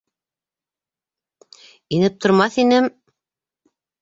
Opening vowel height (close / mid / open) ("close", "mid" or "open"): close